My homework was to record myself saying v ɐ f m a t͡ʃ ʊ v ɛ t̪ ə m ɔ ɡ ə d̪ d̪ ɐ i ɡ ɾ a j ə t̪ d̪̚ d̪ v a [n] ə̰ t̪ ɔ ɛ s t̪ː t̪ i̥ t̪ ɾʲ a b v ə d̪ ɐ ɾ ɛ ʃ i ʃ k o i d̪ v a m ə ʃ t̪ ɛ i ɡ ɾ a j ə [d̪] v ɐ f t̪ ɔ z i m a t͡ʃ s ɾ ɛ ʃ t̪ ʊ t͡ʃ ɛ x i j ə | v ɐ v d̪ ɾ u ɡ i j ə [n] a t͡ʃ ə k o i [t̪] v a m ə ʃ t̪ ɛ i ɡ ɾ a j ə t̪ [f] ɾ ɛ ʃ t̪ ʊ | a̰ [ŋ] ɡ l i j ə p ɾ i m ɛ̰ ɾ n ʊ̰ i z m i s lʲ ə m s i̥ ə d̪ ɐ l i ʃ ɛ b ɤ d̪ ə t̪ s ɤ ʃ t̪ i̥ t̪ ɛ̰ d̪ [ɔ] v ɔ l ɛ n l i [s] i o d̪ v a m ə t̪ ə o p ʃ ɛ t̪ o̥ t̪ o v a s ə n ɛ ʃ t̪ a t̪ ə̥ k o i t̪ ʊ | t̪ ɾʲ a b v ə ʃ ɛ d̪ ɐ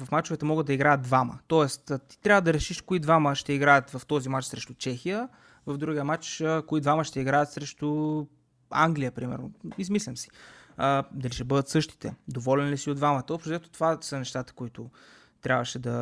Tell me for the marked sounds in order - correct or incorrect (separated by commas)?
incorrect, incorrect, incorrect, incorrect, incorrect, correct, incorrect, correct